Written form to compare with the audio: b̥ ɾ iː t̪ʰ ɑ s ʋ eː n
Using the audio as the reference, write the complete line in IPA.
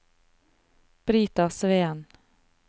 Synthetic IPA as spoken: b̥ ɾ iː t̪ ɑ s ʋ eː n